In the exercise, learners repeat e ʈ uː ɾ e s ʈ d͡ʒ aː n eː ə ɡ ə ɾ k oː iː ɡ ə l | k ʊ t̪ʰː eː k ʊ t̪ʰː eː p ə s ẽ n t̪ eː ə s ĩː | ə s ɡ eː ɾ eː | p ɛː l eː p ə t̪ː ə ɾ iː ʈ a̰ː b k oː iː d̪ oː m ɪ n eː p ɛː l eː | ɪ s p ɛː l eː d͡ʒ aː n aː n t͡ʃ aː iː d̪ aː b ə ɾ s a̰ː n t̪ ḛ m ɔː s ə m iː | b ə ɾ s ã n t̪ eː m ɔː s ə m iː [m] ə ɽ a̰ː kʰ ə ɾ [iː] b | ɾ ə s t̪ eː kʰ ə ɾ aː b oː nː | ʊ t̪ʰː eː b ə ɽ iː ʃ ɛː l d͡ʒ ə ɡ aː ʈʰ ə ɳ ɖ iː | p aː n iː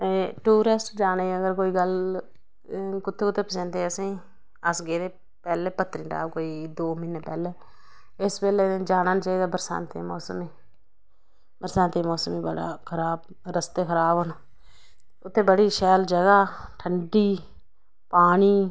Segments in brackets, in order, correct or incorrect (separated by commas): incorrect, incorrect